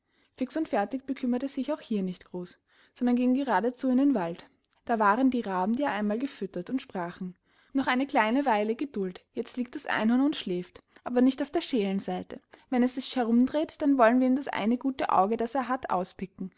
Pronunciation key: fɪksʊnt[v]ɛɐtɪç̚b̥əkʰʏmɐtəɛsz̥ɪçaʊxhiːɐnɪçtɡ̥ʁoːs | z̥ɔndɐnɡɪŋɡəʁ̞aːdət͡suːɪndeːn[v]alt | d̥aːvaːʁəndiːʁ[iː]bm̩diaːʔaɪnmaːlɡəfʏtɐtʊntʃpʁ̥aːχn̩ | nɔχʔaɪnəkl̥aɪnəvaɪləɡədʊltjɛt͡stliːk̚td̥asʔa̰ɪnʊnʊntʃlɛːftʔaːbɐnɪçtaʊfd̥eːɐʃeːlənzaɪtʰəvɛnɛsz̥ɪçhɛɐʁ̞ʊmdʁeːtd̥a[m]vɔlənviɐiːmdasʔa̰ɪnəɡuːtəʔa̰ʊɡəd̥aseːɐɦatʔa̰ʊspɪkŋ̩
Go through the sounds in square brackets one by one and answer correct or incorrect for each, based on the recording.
incorrect, correct, incorrect, incorrect

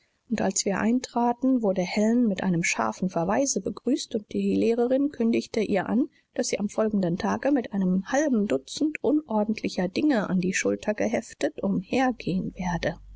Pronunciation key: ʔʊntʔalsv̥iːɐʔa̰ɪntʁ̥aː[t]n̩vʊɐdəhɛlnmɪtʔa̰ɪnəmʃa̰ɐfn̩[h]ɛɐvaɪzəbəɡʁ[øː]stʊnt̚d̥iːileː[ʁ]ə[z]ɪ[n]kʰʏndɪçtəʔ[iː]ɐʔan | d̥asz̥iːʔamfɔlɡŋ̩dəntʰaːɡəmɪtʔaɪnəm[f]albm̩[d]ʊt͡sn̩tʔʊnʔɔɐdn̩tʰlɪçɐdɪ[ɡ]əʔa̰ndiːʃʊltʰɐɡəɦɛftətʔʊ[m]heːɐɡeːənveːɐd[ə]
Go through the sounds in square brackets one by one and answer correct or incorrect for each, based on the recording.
correct, incorrect, incorrect, correct, incorrect, correct, correct, incorrect, correct, incorrect, correct, correct

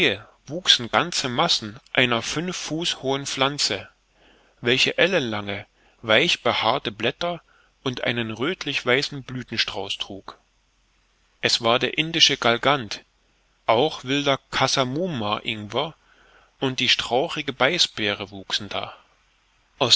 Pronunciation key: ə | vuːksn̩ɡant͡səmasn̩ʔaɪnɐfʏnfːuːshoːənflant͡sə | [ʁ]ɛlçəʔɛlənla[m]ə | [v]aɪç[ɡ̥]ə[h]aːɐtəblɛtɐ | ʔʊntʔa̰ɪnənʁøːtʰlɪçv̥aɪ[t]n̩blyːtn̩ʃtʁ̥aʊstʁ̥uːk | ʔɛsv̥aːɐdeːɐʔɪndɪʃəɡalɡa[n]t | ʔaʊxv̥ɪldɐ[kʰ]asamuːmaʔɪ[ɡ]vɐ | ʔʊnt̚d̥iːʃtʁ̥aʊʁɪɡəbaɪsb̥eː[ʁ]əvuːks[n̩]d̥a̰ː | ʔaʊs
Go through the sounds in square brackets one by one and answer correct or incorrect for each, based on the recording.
incorrect, incorrect, correct, incorrect, correct, incorrect, correct, correct, incorrect, correct, correct

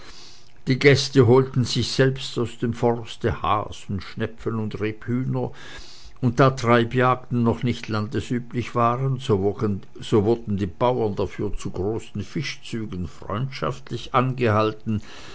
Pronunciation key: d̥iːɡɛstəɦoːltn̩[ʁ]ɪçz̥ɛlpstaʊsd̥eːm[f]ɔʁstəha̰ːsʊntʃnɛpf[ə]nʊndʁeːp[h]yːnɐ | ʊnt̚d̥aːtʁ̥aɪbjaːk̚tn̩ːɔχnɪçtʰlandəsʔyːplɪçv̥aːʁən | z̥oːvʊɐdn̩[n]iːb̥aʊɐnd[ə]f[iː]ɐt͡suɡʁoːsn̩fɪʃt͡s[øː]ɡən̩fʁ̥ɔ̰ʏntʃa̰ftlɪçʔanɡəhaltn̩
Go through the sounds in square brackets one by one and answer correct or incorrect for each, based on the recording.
incorrect, correct, correct, correct, incorrect, incorrect, incorrect, incorrect

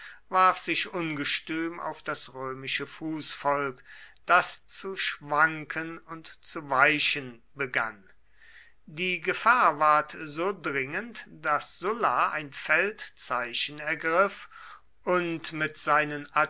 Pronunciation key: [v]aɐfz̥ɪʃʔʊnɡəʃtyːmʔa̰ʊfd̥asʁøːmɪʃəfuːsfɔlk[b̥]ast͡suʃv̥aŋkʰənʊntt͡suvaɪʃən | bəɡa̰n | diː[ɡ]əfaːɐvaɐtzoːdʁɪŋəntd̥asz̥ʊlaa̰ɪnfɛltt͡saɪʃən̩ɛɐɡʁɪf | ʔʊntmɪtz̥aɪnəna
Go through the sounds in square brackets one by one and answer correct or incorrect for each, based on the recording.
correct, incorrect, correct

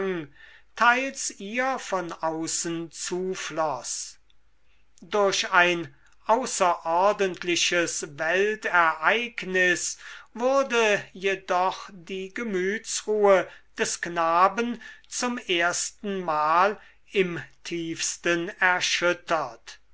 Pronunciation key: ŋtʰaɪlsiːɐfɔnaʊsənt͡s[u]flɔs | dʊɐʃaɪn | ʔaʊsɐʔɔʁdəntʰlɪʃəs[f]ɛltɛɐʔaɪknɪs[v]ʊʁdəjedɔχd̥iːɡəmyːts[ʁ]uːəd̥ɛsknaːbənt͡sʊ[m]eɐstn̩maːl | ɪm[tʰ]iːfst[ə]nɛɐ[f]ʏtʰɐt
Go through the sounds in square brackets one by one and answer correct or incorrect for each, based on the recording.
incorrect, incorrect, correct, correct, correct, correct, correct, incorrect

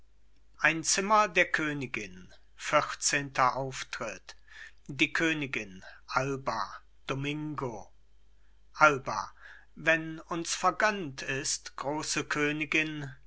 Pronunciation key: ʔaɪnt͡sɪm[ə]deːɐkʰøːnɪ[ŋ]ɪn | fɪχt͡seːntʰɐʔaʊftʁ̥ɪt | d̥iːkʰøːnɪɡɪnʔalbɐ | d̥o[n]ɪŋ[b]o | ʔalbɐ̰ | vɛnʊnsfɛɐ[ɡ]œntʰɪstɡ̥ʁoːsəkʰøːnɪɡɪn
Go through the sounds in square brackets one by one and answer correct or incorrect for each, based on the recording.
incorrect, incorrect, incorrect, incorrect, correct

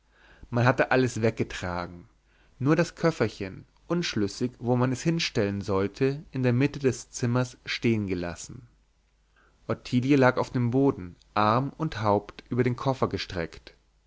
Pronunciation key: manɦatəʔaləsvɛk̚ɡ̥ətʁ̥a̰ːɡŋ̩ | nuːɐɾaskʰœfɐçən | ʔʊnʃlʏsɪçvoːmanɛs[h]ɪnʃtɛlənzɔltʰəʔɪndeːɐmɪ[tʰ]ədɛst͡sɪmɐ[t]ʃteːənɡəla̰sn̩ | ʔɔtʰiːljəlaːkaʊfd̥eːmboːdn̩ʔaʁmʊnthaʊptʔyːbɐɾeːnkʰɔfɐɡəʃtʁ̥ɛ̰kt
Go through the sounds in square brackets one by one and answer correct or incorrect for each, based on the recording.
correct, incorrect, incorrect

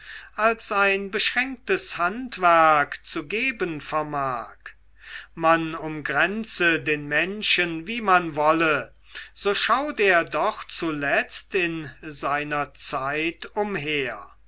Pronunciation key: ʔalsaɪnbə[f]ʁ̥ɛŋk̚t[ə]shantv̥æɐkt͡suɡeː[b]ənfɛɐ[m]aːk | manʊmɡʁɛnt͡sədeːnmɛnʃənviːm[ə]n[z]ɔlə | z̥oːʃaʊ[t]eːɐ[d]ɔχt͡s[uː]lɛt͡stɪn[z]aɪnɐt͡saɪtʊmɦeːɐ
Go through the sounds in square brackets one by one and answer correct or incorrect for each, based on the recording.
incorrect, correct, correct, correct, incorrect, incorrect, correct, correct, incorrect, correct

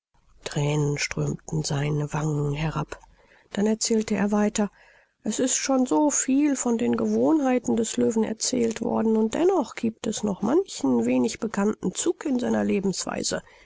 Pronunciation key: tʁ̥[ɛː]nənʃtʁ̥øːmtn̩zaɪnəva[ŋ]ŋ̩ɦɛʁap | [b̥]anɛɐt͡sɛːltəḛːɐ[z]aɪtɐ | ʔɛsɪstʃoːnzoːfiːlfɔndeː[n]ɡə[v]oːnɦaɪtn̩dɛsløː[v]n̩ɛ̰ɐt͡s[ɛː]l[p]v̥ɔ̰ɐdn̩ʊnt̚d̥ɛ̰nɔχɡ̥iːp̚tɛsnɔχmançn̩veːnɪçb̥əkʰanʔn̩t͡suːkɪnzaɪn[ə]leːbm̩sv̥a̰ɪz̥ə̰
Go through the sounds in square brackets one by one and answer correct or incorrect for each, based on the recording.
correct, correct, incorrect, incorrect, correct, correct, correct, correct, incorrect, incorrect

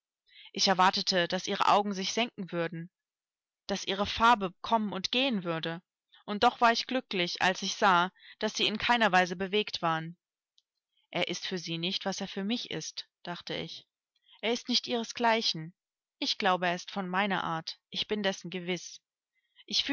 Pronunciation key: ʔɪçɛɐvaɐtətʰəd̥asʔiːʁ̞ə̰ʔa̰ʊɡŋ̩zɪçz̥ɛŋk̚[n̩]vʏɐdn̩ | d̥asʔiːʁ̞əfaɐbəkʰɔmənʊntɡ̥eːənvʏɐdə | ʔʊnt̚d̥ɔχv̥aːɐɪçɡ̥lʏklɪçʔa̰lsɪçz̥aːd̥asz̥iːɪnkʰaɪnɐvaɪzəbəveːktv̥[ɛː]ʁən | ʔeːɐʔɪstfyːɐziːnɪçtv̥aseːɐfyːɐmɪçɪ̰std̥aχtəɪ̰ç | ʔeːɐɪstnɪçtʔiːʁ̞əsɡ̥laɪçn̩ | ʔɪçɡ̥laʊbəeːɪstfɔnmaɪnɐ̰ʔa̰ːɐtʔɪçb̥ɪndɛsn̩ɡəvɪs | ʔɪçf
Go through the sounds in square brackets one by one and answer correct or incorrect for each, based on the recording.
incorrect, incorrect

